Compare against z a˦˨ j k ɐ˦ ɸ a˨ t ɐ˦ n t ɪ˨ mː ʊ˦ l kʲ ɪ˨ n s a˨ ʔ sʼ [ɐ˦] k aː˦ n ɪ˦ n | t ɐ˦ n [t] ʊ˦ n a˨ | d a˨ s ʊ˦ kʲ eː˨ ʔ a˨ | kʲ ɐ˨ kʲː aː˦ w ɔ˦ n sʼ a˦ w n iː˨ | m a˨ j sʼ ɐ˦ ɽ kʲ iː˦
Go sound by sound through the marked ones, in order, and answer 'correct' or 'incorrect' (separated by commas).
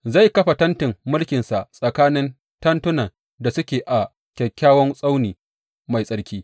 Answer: incorrect, correct